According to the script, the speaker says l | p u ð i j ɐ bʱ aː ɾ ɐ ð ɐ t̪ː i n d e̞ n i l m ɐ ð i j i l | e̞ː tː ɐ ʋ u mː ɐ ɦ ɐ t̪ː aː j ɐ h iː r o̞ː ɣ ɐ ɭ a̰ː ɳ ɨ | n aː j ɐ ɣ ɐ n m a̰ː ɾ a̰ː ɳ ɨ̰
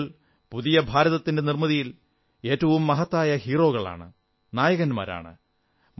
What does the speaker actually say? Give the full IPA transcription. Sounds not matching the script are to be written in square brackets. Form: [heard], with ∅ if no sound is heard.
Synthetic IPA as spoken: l | p u ð i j ɐ bʱ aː ɾ ɐ ð ɐ t̪ː i n d e̞ n i [r] m ɐ ð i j i l | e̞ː tː ɐ ʋ u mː ɐ ɦ ɐ t̪ː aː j ɐ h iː r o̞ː ɣ ɐ ɭ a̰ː ɳ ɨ | n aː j ɐ ɣ ɐ n m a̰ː ɾ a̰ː ɳ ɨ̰